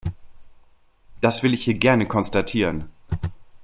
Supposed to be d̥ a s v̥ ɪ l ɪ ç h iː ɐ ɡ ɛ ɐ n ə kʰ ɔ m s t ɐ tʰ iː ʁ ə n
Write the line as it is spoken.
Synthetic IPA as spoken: d̥ a s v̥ ɪ l ɪ ç h iː ɐ ɡ ɛ ɐ n ə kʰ ɔ n s t a tʰ iː ʁ ə n